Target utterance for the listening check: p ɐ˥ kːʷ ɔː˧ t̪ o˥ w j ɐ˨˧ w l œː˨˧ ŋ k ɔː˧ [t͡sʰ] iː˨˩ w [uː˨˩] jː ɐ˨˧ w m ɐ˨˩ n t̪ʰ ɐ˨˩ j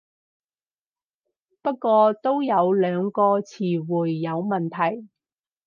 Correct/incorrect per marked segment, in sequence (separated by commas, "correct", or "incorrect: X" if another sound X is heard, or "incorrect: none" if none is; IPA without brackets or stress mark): correct, correct